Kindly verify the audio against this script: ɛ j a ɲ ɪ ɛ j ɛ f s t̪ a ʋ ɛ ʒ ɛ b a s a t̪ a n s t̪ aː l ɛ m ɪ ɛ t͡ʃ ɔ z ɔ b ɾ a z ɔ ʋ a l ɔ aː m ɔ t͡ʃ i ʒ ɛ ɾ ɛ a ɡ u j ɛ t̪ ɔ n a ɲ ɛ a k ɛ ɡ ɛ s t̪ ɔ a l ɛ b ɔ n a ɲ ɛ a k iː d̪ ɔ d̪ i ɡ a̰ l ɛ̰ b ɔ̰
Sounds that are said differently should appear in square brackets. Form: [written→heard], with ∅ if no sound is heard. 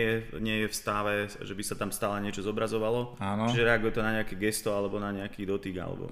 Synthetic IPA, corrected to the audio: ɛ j [a→ɛ] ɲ ɪ ɛ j ɛ f s t̪ a ʋ ɛ ʒ ɛ b [a→i] s a t̪ a [n→m] s t̪ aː l ɛ [m→ɲ] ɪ ɛ t͡ʃ ɔ z ɔ b ɾ a z ɔ ʋ a l ɔ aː [m→n] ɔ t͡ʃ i ʒ ɛ ɾ ɛ a ɡ u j ɛ t̪ ɔ n a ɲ ɛ a k ɛ ɡ ɛ s t̪ ɔ a l ɛ b ɔ n a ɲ ɛ a k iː d̪ ɔ [d̪→t̪] i ɡ a̰ l ɛ̰ b ɔ̰